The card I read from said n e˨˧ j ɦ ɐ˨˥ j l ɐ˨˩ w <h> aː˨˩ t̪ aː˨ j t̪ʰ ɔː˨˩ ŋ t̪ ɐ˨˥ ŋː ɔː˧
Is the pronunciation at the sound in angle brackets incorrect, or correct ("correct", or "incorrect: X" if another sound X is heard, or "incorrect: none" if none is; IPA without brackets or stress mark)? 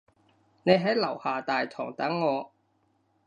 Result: correct